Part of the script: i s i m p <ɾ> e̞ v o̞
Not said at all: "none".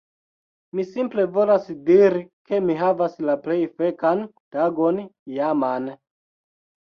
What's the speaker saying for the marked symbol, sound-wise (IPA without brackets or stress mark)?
l